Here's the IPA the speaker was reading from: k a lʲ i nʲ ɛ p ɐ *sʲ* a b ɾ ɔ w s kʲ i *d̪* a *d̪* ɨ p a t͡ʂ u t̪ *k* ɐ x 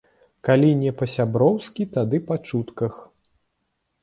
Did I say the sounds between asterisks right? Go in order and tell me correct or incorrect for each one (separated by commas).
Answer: correct, incorrect, correct, correct